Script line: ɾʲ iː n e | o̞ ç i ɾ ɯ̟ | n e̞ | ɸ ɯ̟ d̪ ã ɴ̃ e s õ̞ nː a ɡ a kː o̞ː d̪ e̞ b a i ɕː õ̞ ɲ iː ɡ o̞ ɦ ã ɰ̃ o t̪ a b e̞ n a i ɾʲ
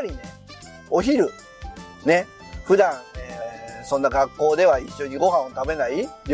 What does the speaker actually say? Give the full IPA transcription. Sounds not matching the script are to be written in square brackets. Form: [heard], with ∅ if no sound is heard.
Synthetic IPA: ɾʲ [i] n e | o̞ ç i ɾ ɯ̟ | n e̞ | ɸ ɯ̟ d̪ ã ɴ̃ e s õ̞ nː a ɡ a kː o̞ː d̪ e̞ [β] a i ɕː [o̞] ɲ [i] ɡ o̞ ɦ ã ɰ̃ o t̪ a b e̞ n a i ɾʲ